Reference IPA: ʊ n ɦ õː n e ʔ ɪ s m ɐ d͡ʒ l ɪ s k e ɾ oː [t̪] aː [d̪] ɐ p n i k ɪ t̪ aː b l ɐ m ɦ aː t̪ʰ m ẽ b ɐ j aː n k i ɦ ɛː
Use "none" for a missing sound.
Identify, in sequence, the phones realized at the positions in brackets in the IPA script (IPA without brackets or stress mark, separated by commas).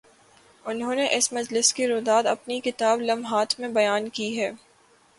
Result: d̪, d̪